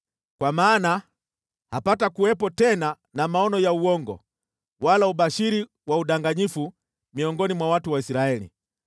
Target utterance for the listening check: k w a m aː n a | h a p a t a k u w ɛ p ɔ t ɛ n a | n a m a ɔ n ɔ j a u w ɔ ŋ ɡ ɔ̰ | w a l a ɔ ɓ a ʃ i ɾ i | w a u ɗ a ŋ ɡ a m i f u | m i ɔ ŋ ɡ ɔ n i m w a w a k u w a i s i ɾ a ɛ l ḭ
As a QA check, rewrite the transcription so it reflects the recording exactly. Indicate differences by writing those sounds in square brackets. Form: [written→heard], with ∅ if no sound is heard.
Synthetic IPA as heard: k w a m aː n a | h a p a t a k u w ɛ p ɔ t ɛ n a | n a m a ɔ n ɔ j a u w ɔ ŋ ɡ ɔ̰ | w a l a [ɔ→u] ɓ a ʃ i ɾ i | w a u ɗ a ŋ ɡ a [m→ɲ] i f u | m i ɔ ŋ ɡ ɔ n i m w a w a [k→t] u w a i s i ɾ a ɛ l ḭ